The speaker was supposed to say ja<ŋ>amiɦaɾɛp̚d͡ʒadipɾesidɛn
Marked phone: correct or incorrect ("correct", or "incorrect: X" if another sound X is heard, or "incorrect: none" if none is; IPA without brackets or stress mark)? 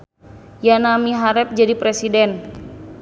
incorrect: n